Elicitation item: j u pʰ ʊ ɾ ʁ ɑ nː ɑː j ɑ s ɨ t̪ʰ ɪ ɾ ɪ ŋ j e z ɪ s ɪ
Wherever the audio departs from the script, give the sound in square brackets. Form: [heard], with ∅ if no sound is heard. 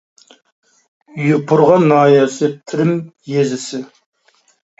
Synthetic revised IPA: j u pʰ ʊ ɾ ʁ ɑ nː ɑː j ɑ s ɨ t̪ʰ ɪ ɾ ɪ [m] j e z ɪ s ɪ